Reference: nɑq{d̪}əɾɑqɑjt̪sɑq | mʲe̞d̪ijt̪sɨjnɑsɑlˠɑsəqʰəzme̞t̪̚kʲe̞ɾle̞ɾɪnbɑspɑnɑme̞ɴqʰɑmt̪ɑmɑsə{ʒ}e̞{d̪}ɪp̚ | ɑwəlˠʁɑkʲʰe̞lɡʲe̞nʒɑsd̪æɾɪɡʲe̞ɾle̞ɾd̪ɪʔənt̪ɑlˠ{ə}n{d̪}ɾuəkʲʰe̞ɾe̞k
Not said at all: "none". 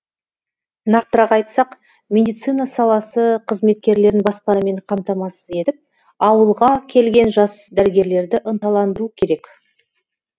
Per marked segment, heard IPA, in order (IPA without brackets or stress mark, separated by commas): t̪, z, t̪, ɑ, d̪